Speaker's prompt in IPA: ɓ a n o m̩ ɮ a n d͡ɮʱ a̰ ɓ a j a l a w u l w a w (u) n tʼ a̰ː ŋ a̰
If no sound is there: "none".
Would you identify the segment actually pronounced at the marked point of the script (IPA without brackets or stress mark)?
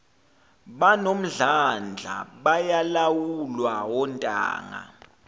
ɔ